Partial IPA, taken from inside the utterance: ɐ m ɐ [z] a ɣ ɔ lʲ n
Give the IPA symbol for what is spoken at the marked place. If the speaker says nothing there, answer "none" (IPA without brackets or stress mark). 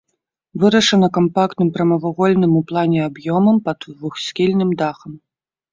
v